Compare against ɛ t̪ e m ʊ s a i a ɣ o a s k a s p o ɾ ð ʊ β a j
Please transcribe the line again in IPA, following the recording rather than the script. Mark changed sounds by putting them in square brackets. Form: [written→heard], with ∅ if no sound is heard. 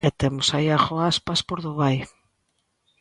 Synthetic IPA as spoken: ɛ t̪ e m ʊ s a i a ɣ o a s [k→p] a s p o ɾ ð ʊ β a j

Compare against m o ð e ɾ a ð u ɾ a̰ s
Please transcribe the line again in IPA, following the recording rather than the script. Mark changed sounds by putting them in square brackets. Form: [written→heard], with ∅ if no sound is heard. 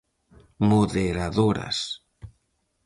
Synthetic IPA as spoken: m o ð e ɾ a ð [u→o] ɾ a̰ s

